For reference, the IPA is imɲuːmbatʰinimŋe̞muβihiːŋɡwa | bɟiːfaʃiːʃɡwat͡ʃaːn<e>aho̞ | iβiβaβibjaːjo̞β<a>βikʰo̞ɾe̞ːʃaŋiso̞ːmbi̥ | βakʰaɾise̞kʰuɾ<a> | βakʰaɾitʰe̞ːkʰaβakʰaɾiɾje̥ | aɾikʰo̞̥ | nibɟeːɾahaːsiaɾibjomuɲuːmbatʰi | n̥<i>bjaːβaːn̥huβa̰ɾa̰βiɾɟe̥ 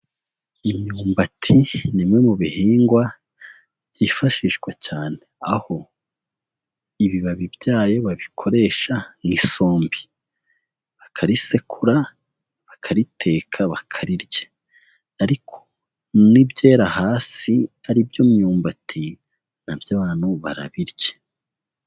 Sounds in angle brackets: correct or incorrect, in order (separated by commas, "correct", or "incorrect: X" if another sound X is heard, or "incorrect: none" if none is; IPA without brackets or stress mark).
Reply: correct, correct, correct, incorrect: a